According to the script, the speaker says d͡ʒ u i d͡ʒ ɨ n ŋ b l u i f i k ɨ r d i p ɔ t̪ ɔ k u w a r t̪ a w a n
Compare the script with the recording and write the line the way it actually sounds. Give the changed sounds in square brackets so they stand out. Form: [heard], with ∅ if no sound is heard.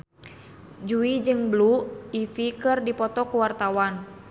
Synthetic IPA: d͡ʒ u i d͡ʒ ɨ [∅] ŋ b l u i f i k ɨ r d i p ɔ t̪ ɔ k u w a r t̪ a w a n